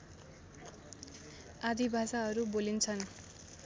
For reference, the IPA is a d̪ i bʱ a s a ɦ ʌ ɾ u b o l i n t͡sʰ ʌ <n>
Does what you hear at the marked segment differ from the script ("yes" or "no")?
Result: no